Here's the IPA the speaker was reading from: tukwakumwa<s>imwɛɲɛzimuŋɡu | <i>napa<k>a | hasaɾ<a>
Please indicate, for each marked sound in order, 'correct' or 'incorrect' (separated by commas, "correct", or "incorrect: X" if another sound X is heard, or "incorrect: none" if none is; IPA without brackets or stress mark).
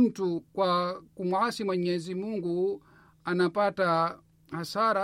correct, incorrect: a, incorrect: t, correct